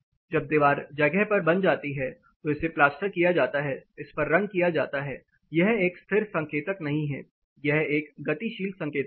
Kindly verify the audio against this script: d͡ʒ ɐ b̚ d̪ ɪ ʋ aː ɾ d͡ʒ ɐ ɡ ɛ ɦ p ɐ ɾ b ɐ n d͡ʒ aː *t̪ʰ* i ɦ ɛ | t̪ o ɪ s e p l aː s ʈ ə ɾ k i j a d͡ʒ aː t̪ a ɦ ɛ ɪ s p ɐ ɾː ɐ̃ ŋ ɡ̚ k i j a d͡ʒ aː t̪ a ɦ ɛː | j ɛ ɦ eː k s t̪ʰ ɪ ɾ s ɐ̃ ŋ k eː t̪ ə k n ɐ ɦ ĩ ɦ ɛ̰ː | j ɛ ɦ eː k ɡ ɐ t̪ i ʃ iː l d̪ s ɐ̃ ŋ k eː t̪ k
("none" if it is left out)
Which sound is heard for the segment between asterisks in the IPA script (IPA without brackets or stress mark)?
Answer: t̪